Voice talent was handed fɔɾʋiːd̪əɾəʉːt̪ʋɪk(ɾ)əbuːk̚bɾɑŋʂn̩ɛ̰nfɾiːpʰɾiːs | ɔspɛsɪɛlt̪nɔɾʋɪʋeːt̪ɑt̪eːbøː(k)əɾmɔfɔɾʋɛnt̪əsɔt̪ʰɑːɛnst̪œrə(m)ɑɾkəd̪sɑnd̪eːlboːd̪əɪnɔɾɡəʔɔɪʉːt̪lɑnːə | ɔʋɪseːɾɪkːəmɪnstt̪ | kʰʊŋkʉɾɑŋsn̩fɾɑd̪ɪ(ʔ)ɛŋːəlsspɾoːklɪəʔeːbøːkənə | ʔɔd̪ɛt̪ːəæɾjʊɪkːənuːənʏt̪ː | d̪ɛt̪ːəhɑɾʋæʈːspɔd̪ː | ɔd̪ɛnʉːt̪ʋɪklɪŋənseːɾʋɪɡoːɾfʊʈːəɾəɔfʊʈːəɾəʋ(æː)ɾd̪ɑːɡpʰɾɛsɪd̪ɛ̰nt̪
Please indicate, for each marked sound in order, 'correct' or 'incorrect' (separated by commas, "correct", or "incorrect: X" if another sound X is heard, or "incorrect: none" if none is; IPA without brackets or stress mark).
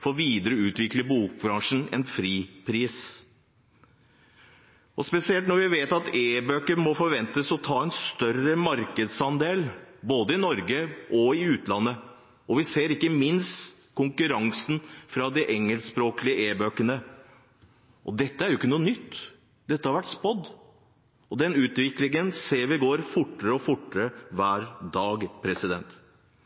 incorrect: l, correct, correct, correct, correct